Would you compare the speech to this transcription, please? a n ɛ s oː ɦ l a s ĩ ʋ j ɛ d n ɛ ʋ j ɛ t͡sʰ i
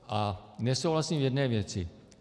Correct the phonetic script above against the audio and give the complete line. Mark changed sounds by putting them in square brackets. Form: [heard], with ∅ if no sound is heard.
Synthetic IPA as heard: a n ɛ s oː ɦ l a s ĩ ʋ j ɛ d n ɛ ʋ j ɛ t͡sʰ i

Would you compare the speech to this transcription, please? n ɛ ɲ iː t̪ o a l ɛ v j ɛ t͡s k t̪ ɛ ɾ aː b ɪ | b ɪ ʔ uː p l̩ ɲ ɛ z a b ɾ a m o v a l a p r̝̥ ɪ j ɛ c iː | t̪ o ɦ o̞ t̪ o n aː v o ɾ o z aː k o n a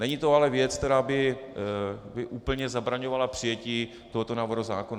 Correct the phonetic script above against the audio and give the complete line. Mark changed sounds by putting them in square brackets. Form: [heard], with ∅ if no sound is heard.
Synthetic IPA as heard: n ɛ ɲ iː t̪ o a l ɛ v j ɛ t͡s k t̪ ɛ ɾ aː b ɪ | b ɪ ʔ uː p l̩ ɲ ɛ z a b ɾ a [ɲ] o v a l a p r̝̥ ɪ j ɛ c iː | t̪ o ɦ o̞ t̪ o n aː v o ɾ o z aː k o n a

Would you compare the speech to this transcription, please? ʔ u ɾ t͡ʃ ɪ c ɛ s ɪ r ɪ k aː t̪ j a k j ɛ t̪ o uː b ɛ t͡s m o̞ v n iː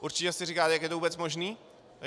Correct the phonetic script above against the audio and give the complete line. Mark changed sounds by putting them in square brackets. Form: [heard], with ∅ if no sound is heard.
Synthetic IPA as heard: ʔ u ɾ t͡ʃ ɪ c ɛ s ɪ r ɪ k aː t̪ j a k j ɛ t̪ o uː b ɛ t͡s m o̞ [ʒ] n iː

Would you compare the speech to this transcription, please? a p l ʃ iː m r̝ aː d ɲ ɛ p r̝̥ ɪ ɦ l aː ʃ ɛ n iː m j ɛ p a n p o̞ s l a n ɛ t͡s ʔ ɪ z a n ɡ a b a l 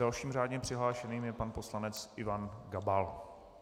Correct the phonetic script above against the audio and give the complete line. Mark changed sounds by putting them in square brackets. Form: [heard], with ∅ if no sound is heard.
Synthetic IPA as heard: a [∅] l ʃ iː m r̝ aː d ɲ ɛ p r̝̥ ɪ ɦ l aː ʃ ɛ n iː m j ɛ p a n p o̞ s l a n ɛ t͡s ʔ ɪ [v] a n ɡ a b a l

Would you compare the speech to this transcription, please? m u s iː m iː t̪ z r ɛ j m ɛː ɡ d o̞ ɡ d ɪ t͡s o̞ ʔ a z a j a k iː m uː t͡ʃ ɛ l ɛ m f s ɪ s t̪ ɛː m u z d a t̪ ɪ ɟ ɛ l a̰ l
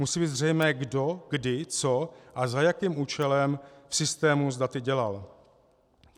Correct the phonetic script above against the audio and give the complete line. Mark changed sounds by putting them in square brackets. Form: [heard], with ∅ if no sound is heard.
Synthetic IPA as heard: m u s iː [b] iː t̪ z r ɛ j m ɛː ɡ d o̞ ɡ d ɪ t͡s o̞ ʔ a z a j a k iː m uː t͡ʃ ɛ l ɛ m f s ɪ s t̪ ɛː m u z d a t̪ ɪ ɟ ɛ l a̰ l

